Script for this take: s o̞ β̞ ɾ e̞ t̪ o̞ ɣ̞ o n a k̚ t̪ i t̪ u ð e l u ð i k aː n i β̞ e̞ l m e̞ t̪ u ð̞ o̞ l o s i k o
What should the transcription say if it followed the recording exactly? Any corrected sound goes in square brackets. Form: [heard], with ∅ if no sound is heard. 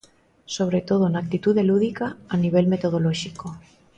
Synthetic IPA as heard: s o̞ β̞ ɾ e̞ t̪ o̞ [ð̞] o n a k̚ t̪ i t̪ u ð e l u ð i k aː n i β̞ e̞ l m e̞ t̪ [o] ð̞ o̞ l o [ʃ] i k o